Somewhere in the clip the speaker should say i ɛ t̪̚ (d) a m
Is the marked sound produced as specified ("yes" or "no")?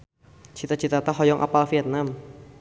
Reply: no